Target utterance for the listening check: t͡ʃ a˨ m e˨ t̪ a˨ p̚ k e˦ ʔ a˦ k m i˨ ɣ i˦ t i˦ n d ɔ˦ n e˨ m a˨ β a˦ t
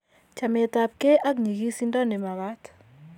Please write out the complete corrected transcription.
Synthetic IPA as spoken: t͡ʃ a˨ m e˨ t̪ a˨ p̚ k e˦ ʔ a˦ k ɲ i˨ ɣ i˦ s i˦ n d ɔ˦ n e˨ m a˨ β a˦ t